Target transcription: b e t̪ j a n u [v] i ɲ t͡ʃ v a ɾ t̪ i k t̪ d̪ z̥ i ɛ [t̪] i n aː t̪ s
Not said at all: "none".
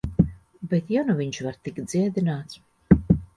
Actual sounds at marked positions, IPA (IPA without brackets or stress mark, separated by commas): v, d̪